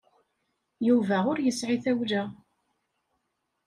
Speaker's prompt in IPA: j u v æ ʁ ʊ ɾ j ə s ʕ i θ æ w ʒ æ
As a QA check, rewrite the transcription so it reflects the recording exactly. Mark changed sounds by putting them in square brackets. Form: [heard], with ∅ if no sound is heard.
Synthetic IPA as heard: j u v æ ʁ ʊ ɾ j ə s ʕ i θ æ w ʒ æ